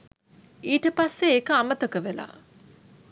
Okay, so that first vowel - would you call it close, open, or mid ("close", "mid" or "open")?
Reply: close